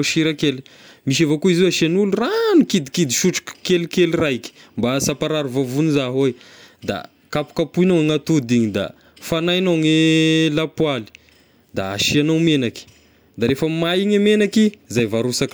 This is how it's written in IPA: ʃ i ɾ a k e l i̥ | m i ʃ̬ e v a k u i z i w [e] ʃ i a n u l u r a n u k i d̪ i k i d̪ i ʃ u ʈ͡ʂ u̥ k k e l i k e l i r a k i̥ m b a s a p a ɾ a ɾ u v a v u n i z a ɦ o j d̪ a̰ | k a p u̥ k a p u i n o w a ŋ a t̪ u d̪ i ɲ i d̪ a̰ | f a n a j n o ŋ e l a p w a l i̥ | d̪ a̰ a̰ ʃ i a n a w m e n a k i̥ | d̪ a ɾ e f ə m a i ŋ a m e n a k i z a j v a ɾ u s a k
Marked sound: incorrect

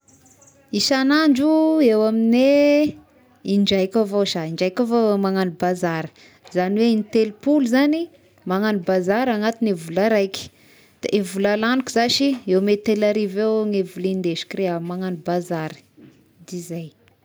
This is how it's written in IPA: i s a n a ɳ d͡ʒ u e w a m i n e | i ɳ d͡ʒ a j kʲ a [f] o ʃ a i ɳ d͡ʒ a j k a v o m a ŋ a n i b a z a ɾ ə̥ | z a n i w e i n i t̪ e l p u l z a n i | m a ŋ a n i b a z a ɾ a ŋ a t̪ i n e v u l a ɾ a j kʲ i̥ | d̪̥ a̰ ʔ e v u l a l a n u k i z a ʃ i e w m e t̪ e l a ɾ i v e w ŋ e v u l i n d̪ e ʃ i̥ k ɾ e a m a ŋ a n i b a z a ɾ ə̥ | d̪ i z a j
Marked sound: incorrect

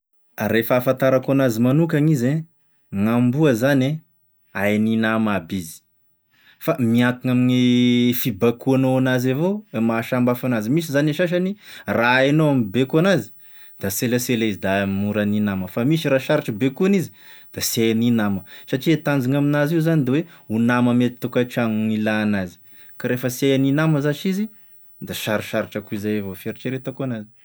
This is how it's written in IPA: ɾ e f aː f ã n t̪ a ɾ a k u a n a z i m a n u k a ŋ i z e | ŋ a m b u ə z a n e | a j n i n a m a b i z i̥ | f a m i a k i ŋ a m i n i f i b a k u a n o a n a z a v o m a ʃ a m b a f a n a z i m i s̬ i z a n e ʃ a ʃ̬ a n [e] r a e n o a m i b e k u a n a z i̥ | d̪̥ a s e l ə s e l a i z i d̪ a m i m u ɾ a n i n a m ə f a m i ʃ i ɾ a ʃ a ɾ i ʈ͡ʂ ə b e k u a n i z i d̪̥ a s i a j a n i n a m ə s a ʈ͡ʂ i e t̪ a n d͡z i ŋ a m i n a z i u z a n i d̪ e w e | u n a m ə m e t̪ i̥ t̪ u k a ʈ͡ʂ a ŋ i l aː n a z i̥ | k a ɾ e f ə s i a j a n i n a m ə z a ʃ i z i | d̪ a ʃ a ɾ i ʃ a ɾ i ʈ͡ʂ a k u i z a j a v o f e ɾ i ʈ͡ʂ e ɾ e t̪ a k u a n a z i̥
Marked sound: incorrect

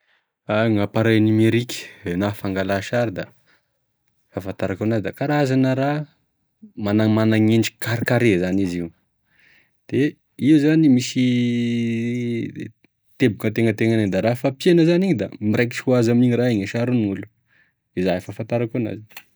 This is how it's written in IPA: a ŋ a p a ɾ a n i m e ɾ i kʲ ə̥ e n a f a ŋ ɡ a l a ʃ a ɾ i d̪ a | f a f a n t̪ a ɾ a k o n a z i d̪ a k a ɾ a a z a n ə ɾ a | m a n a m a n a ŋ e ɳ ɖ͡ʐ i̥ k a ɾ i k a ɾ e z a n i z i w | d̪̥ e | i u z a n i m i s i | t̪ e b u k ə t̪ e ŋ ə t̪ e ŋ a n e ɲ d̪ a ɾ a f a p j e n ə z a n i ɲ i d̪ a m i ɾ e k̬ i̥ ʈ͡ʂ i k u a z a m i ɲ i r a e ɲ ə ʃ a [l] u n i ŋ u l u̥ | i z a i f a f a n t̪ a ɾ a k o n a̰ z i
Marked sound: incorrect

